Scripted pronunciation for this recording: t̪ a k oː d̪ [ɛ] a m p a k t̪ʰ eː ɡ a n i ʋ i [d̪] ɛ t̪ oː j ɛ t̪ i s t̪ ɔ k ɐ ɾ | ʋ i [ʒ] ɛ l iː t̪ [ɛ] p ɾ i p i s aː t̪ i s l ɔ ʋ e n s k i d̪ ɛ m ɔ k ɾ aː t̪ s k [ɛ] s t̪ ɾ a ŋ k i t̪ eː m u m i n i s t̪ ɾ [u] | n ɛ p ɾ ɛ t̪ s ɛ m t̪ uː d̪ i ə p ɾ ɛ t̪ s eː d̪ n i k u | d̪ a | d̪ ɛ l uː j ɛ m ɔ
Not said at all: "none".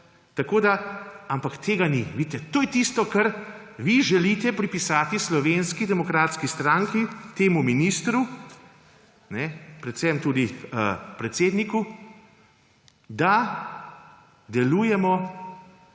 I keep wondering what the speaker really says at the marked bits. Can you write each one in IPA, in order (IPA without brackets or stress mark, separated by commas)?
a, t̪, ʒ, ɛ, i, u